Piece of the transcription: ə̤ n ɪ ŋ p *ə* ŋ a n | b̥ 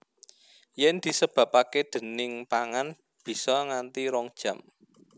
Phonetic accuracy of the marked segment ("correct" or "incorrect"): incorrect